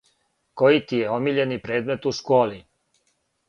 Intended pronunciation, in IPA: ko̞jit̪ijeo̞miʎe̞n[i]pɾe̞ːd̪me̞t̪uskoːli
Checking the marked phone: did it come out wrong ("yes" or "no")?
no